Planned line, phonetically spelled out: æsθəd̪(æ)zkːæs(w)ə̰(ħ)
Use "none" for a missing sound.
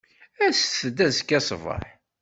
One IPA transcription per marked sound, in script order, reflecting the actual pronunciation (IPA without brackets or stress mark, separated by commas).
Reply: æ, v, ħ